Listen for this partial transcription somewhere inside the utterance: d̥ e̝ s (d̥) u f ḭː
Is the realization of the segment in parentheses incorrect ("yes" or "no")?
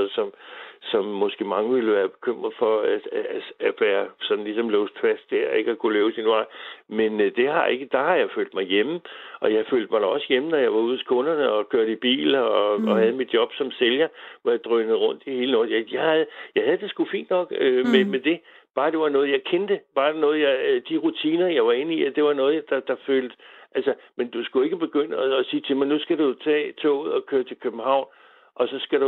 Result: yes